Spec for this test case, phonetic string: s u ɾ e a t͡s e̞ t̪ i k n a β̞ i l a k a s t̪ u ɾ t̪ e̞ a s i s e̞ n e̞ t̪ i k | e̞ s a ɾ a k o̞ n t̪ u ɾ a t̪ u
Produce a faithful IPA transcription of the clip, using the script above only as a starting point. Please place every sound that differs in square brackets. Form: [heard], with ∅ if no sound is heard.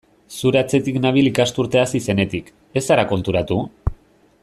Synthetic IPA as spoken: s u ɾ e a t͡s e̞ t̪ i k n a β̞ i l [i] k a s t̪ u ɾ t̪ e̞ a s i s e̞ n e̞ t̪ i k | e̞ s a ɾ a k o̞ n t̪ u ɾ a t̪ u